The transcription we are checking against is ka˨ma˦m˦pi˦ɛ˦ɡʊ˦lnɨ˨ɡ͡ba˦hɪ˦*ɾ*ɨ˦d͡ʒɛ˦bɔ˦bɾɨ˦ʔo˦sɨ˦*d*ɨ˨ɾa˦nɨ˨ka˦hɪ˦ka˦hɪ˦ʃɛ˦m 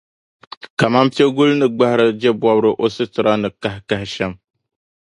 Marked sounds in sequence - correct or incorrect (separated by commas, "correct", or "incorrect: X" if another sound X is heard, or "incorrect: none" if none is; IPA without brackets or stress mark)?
correct, incorrect: t